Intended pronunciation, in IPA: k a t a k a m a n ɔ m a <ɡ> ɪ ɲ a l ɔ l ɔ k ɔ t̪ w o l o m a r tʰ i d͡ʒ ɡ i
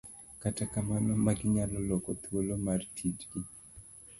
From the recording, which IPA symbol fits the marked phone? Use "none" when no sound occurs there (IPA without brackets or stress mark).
ɡ